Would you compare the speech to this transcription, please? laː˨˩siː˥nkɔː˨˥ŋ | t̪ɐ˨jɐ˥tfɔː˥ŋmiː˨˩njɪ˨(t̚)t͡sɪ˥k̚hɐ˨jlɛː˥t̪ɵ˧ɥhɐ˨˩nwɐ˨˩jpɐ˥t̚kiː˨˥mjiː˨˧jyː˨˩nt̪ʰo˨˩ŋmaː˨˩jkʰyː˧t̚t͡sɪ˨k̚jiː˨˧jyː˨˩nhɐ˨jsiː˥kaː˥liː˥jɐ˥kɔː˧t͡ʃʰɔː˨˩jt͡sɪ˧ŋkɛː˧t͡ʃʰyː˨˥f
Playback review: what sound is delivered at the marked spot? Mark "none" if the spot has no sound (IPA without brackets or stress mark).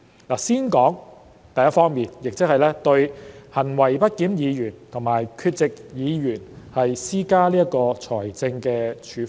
k̚